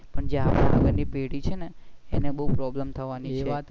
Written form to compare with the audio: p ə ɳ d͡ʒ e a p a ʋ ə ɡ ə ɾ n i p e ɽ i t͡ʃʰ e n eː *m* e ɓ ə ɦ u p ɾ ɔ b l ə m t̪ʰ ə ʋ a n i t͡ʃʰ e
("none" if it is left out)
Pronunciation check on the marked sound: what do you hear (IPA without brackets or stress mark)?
n